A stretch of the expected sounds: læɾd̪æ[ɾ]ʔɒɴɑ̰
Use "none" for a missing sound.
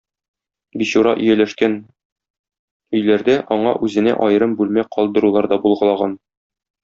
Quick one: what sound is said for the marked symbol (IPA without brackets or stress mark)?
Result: none